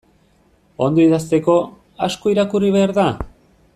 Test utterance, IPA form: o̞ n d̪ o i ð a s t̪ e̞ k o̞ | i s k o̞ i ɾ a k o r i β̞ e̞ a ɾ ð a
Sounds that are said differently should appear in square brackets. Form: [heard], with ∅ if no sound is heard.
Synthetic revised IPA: o̞ n d̪ o i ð a s t̪ e̞ k o̞ | [a] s k o̞ i ɾ a k [u] r i β̞ e̞ a ɾ ð a